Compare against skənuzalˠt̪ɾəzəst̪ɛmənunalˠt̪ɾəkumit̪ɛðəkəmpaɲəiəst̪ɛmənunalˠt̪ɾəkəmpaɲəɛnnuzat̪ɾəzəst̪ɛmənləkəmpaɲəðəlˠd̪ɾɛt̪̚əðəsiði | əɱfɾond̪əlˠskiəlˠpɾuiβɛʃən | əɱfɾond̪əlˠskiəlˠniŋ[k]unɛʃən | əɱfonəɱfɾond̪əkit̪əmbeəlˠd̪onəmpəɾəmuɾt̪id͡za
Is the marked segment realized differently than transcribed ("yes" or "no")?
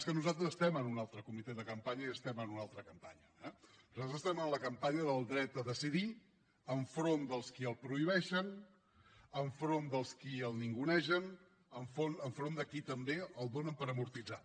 yes